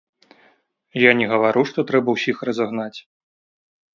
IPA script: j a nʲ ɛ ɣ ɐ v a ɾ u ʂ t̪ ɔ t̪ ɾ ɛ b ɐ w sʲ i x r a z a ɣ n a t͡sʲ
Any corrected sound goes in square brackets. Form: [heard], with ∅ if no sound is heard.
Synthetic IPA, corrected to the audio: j a nʲ ɛ ɣ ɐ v a ɾ u ʂ t̪ ɔ t̪ ɾ ɛ b ɐ w sʲ i x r [ɐ] z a ɣ n a t͡sʲ